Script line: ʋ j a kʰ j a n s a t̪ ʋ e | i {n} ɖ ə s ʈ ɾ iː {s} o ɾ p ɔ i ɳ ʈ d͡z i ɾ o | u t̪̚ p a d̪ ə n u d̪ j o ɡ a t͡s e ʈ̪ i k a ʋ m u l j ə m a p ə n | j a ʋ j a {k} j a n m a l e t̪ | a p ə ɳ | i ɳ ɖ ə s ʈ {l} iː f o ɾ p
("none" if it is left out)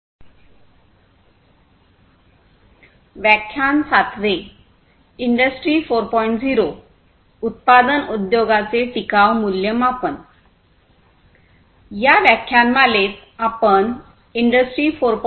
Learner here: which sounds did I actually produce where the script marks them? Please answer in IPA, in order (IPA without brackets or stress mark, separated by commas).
ɳ, f, kʰ, ɾ